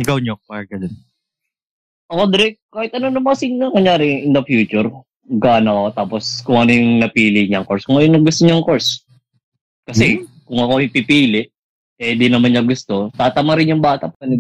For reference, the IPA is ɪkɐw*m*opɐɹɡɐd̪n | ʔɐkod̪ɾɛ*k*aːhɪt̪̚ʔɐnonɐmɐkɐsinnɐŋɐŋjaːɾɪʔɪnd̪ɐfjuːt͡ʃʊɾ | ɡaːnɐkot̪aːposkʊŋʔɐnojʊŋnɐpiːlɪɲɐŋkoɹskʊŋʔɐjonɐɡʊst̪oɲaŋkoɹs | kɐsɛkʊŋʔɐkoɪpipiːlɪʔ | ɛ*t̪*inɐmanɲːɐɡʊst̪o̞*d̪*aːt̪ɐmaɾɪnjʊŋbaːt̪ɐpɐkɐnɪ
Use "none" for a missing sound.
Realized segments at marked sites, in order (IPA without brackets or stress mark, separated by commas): ɲ, k, d̪, t̪